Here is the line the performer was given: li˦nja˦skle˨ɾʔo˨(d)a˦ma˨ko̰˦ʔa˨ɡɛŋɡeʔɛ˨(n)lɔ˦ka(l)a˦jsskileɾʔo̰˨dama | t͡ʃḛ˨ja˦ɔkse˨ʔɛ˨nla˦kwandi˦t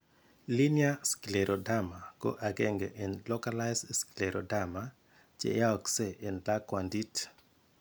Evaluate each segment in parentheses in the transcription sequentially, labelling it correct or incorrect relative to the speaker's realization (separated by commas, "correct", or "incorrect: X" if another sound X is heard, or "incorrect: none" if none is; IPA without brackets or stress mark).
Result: correct, correct, correct